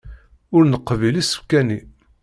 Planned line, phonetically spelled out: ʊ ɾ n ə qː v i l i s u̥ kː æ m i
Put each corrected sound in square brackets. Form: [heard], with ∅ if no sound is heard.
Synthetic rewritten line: ʊ ɾ n ə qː v i l i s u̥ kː æ [n] i